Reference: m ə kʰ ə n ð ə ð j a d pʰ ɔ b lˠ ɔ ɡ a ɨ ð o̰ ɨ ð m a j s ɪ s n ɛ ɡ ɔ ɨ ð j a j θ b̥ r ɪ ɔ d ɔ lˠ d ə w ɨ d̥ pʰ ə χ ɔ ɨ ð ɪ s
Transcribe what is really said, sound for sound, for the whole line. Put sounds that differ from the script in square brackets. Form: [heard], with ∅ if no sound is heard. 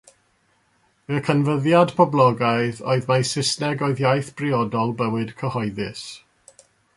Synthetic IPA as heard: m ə kʰ ə n [v] ə ð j a d pʰ ɔ b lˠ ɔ ɡ a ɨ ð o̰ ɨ ð m a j s ɪ s n ɛ ɡ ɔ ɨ ð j a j θ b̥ r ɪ ɔ d ɔ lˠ [b] ə w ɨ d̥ [kʰ] ə [h] ɔ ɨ ð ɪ s